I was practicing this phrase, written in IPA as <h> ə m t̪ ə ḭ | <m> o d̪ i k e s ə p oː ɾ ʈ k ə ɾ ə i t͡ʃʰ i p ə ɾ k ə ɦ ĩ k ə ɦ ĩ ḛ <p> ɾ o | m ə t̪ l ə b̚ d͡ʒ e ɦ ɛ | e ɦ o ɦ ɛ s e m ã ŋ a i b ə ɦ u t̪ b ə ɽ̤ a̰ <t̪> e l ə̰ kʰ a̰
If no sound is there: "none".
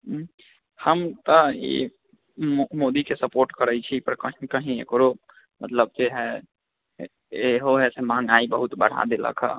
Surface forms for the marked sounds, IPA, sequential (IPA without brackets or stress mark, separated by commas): h, m, k, d̪